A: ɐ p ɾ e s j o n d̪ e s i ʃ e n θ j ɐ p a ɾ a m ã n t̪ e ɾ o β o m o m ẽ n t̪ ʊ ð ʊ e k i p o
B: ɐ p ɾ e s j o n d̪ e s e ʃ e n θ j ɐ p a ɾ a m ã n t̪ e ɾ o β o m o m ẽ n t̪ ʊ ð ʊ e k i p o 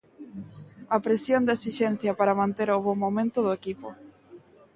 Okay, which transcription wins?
A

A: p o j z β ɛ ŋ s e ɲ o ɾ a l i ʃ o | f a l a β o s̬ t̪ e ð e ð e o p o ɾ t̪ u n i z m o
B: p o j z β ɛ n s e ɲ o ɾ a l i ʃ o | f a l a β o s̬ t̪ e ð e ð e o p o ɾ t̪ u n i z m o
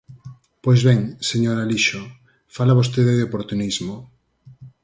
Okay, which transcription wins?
A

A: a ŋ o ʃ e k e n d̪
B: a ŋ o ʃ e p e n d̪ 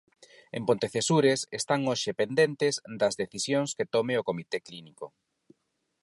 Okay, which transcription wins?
B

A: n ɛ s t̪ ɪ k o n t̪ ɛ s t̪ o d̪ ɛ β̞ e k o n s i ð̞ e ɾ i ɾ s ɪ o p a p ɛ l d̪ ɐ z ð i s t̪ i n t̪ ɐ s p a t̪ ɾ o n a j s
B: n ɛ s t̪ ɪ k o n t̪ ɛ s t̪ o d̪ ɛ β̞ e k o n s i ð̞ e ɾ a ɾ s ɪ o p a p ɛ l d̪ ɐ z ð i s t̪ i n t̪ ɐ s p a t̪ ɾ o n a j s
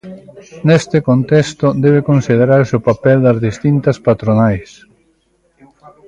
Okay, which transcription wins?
B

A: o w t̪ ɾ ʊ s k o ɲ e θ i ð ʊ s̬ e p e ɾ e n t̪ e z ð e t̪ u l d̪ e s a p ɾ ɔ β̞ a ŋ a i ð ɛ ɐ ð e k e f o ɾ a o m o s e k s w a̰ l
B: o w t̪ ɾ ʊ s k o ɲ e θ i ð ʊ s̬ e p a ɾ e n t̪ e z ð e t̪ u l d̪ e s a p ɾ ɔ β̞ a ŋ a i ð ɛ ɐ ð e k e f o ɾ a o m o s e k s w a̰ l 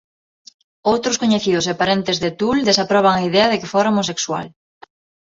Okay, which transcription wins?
B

